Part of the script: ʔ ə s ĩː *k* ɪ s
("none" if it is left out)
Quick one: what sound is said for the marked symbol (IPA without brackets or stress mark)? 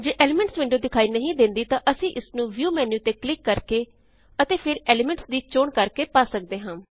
ʔ